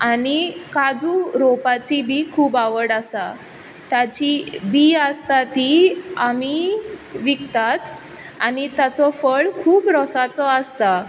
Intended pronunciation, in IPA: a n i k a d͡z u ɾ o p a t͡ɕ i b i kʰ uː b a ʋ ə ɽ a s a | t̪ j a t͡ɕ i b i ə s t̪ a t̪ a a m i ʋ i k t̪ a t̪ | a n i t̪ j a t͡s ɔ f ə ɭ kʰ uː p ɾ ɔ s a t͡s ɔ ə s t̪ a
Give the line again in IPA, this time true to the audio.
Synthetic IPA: a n i k a d͡z u ɾ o p a t͡ɕ i b i kʰ uː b a ʋ ə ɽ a s a | t̪ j a t͡ɕ i b i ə s t̪ a t̪ i a m i ʋ i k t̪ a t̪ | a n i t̪ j a t͡s ɔ f ə ɭ kʰ uː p ɾ ɔ s a t͡s ɔ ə s t̪ a